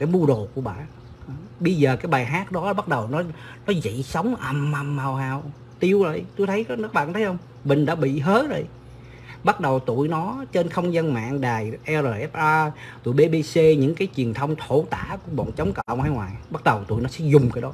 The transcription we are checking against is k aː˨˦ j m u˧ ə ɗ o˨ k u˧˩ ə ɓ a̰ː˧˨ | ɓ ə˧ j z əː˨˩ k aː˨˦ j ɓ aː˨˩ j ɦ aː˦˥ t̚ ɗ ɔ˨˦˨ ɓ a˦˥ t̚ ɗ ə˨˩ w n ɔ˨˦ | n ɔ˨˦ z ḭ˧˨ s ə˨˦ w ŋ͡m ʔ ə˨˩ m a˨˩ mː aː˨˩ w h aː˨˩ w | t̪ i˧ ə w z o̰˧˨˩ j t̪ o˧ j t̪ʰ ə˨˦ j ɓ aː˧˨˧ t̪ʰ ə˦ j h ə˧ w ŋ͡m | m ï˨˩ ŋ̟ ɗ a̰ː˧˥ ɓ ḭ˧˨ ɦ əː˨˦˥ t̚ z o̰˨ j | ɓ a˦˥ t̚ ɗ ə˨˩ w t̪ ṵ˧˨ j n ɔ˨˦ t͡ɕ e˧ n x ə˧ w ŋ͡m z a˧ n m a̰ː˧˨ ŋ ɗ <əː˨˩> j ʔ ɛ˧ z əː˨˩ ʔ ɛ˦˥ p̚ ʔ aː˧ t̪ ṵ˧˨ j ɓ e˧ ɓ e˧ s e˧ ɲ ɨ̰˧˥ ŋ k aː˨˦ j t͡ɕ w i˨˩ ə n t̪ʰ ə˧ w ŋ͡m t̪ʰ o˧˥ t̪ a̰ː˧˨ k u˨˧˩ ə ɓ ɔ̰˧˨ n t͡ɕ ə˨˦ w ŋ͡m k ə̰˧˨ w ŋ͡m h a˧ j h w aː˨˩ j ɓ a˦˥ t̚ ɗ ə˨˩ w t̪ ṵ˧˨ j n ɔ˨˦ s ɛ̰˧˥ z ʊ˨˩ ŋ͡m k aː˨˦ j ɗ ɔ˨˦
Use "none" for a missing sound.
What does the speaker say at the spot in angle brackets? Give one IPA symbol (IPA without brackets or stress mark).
aː˨˩